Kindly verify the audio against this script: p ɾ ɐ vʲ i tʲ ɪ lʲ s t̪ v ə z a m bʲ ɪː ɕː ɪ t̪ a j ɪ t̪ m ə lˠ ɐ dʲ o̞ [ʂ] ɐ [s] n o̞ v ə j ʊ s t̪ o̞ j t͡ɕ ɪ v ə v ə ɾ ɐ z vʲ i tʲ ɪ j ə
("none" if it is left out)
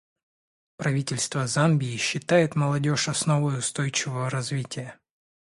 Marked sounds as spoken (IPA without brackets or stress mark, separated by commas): ʂ, s